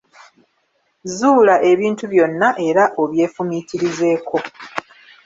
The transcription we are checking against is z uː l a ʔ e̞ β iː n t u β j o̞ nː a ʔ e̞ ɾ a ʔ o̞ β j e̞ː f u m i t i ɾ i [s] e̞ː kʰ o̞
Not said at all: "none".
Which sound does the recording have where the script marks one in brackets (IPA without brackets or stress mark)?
z